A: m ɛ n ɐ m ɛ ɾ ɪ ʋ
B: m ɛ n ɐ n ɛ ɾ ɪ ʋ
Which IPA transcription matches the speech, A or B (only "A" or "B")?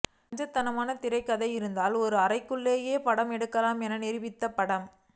B